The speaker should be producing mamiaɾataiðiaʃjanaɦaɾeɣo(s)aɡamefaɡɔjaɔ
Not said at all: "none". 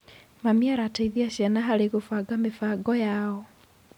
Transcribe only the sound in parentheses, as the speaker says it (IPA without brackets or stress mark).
f